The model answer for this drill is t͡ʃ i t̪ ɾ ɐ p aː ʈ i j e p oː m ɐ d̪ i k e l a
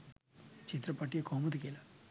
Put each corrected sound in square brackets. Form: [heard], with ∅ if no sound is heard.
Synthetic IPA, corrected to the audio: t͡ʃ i t̪ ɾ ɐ p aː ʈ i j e [k] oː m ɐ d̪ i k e l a